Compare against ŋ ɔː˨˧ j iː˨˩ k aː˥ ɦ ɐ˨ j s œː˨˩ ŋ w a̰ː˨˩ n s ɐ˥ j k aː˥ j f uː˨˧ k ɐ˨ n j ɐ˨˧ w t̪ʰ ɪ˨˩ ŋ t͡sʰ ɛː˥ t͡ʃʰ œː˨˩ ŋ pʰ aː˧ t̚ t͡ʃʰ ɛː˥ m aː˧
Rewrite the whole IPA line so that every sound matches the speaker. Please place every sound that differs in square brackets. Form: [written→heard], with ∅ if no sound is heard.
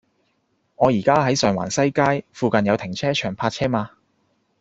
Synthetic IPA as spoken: ŋ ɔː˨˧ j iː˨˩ k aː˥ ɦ [ɐ˨→ɐ˨˥] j s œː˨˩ ŋ w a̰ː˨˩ n s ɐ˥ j k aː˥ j f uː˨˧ k ɐ˨ n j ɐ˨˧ w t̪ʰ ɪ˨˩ ŋ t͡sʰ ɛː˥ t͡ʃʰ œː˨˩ ŋ pʰ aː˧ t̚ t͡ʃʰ ɛː˥ m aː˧